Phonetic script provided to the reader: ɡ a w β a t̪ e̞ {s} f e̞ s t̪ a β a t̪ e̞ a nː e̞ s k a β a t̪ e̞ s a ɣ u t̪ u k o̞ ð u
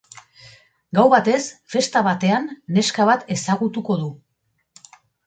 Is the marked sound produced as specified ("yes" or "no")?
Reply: yes